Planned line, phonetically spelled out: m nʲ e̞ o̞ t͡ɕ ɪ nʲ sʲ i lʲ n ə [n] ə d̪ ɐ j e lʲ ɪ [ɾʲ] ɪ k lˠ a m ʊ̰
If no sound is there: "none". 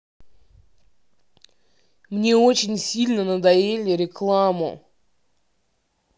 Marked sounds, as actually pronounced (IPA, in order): n, ɾʲ

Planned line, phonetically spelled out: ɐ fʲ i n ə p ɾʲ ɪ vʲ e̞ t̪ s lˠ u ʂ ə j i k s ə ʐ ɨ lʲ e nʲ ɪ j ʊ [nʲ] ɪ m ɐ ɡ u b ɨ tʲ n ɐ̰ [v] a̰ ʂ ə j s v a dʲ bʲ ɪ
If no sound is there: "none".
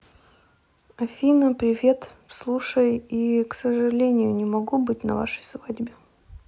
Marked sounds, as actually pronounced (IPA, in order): nʲ, v

